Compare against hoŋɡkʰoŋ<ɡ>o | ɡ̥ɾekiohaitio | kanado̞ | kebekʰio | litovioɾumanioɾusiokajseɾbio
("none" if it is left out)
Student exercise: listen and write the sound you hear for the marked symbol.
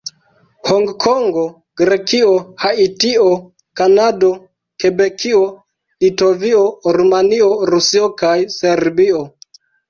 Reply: ɡ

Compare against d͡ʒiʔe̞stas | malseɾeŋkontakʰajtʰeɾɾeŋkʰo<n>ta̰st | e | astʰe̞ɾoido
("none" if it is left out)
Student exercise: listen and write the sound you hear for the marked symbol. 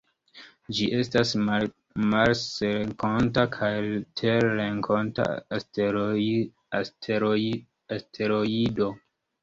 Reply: n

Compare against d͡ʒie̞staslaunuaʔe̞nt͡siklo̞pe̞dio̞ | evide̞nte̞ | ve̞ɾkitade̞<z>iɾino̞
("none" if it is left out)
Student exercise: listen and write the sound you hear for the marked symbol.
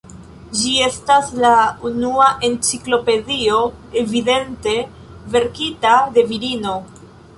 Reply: v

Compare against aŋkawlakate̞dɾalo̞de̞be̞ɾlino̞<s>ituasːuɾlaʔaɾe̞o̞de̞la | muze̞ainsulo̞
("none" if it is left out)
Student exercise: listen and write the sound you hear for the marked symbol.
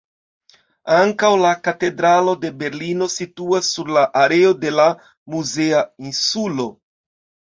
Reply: s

